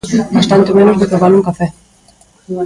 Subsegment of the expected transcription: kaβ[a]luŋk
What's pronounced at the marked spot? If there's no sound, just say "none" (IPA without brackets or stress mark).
a